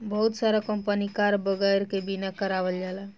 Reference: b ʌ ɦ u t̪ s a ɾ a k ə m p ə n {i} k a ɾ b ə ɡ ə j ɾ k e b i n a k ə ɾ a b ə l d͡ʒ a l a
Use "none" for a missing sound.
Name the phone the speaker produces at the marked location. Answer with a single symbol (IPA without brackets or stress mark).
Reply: i